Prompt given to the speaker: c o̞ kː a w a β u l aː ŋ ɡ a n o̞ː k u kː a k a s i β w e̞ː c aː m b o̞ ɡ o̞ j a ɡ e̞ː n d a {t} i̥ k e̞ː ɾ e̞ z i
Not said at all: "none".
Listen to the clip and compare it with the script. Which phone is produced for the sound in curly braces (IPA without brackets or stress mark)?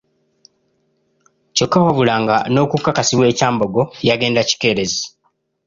c